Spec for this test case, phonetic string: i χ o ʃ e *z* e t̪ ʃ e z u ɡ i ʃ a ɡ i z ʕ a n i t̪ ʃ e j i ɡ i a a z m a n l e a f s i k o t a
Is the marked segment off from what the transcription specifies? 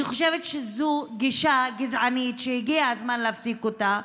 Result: yes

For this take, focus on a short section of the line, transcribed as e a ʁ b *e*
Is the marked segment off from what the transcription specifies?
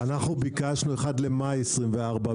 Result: yes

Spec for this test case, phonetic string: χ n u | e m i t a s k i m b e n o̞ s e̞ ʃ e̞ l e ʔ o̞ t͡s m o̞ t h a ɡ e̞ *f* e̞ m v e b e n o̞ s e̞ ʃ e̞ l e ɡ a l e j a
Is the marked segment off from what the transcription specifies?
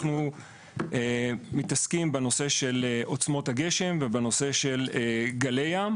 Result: yes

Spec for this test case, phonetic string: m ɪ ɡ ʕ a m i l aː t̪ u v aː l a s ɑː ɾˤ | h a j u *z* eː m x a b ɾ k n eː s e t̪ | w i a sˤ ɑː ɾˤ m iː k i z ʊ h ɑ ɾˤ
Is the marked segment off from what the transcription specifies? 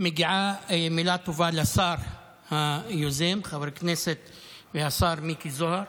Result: no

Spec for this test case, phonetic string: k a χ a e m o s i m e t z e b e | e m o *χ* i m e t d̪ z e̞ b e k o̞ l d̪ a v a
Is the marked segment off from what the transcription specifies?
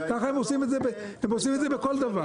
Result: yes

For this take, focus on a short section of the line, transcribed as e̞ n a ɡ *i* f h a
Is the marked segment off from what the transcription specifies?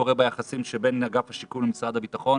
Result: yes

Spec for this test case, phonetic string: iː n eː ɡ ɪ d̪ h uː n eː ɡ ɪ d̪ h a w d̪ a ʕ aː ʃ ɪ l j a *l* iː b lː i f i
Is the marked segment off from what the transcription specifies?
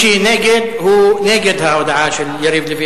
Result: yes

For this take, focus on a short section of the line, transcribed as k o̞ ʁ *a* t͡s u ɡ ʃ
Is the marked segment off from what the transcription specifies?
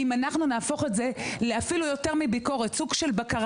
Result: yes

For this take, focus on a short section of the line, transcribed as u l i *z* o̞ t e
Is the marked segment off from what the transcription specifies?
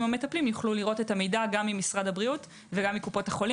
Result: yes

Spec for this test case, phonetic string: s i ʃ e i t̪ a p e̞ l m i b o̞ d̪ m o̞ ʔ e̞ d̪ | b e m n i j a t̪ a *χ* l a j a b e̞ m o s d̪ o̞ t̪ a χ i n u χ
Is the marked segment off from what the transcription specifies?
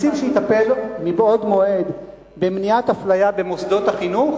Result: yes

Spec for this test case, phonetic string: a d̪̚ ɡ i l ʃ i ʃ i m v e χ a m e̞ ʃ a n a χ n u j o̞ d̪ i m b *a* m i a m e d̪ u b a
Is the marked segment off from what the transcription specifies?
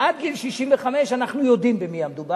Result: yes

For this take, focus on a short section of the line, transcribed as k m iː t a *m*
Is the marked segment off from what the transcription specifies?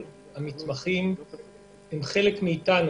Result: yes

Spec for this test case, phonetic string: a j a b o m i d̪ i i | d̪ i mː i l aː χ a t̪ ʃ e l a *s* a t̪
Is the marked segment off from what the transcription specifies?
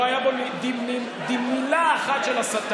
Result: no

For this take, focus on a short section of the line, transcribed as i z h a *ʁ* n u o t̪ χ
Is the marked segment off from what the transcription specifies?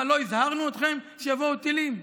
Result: no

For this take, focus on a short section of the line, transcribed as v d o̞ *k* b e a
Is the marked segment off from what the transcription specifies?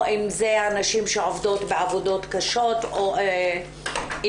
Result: yes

